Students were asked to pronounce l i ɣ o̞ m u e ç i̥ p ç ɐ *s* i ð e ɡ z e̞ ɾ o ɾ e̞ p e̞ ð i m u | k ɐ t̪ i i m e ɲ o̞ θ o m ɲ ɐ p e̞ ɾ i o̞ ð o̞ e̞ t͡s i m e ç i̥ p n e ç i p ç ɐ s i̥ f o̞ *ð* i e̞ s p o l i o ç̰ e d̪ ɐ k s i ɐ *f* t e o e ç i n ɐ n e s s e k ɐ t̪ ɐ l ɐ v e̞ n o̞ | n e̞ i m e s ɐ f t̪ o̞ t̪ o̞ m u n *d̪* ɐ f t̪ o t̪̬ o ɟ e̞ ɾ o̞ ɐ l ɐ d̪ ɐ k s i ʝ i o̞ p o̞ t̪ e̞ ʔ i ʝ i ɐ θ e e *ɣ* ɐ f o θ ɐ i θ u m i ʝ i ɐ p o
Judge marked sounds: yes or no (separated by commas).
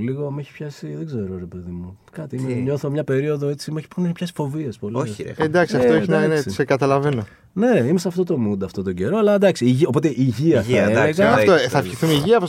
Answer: yes, no, yes, yes, yes